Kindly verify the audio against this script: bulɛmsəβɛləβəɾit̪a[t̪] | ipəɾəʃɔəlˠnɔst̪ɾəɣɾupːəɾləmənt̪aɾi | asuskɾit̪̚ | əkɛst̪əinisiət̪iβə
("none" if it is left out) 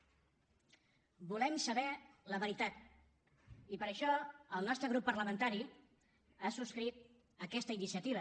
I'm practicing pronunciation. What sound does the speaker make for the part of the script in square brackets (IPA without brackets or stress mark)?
t̪